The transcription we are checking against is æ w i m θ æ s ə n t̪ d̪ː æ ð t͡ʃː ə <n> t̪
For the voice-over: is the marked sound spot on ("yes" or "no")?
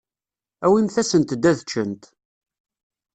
yes